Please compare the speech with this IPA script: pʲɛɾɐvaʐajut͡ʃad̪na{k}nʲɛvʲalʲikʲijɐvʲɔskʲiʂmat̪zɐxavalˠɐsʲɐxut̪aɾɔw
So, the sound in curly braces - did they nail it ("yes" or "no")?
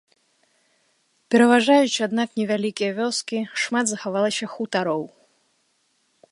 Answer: yes